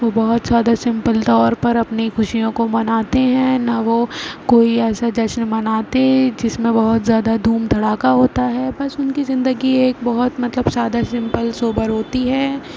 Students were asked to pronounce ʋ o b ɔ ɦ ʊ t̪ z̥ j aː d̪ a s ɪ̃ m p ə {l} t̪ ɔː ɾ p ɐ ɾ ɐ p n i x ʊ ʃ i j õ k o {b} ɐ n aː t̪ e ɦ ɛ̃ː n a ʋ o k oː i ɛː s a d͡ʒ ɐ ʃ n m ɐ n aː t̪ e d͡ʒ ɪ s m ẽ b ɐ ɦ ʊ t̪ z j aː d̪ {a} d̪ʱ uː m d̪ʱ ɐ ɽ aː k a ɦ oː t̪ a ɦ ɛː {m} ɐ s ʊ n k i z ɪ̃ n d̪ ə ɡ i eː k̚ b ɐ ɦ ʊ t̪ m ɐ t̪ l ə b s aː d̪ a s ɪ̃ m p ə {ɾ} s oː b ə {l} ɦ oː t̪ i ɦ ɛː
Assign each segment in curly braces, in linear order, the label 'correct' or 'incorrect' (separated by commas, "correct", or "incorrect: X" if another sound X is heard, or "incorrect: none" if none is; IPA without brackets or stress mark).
correct, incorrect: m, correct, incorrect: b, incorrect: l, incorrect: ɾ